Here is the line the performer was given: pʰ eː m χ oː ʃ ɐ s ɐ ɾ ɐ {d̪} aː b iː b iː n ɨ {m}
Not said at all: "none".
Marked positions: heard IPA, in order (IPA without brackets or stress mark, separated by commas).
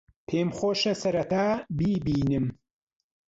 t̪, m